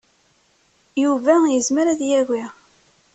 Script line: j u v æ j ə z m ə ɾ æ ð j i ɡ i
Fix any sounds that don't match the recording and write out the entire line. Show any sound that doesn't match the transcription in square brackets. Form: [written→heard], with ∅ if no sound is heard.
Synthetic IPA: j u v æ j ə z m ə ɾ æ ð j [i→æ] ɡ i